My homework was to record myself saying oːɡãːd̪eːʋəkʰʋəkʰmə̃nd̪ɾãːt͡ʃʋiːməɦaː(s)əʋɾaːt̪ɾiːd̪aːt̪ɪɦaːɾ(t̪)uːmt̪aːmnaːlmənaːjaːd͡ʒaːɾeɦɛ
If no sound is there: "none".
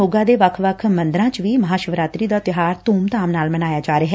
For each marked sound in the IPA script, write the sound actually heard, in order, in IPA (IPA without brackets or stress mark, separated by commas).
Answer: ʃ, t̪